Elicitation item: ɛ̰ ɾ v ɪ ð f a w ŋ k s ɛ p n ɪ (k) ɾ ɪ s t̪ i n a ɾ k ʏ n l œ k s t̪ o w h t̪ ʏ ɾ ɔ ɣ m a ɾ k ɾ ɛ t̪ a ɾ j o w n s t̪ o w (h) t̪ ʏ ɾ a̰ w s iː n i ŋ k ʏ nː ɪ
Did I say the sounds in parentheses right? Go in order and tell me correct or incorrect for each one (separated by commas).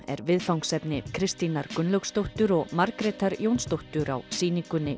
incorrect, correct